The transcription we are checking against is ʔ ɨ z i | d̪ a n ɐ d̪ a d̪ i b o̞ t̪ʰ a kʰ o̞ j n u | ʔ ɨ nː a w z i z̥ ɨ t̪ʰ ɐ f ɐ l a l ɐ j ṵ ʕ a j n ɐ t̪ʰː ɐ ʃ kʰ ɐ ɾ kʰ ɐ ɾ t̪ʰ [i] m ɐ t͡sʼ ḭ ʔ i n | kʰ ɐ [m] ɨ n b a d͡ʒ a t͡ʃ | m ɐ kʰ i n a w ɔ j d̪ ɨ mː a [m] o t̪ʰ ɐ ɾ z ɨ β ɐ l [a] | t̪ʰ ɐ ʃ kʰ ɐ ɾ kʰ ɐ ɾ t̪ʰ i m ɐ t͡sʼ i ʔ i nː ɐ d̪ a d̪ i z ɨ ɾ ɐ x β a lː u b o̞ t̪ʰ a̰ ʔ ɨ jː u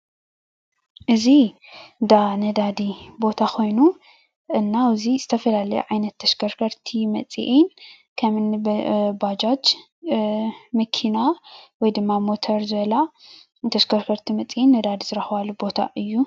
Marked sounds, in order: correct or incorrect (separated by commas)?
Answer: correct, correct, correct, correct